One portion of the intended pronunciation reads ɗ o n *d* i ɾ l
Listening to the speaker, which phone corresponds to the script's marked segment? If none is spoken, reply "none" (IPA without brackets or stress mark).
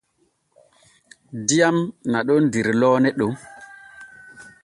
d